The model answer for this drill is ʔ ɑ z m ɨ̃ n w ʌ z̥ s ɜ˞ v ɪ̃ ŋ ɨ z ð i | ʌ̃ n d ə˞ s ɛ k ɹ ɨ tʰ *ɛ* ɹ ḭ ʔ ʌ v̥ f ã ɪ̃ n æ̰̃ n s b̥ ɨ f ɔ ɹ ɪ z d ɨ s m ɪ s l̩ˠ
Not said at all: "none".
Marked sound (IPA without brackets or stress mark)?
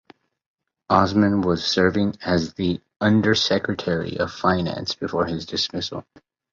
ɛ